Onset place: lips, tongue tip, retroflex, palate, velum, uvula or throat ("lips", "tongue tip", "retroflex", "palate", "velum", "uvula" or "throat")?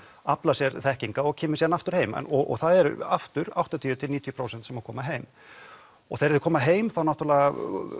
lips